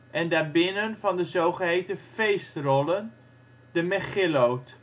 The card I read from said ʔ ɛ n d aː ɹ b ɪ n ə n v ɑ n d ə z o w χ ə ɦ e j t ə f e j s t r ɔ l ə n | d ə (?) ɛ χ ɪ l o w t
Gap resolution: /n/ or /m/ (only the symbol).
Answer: m